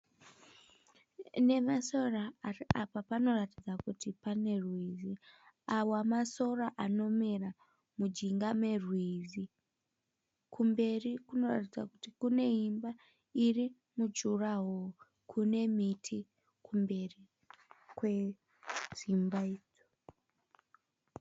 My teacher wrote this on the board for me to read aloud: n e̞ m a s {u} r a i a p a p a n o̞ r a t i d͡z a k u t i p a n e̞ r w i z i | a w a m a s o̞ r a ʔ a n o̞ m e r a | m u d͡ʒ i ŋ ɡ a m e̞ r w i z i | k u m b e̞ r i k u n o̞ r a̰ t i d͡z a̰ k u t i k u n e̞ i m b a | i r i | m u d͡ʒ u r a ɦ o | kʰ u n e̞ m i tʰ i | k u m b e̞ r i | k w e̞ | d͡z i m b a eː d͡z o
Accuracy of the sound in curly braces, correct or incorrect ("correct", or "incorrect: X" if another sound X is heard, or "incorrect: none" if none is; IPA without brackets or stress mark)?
incorrect: o